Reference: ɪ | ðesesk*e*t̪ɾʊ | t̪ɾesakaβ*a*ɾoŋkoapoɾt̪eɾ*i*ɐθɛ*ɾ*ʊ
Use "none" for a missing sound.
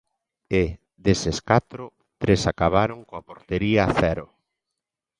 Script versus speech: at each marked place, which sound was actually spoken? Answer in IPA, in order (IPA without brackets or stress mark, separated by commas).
a, a, i, ɾ